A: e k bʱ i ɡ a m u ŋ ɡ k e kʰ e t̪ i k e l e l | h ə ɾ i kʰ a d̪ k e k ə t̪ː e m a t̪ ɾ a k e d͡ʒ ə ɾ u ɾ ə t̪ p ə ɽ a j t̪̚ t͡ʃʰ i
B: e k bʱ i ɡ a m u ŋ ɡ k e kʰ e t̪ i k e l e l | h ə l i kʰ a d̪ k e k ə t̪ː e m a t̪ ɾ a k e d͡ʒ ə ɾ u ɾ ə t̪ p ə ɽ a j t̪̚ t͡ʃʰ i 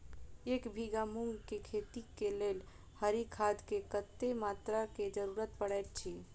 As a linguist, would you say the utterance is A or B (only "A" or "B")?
A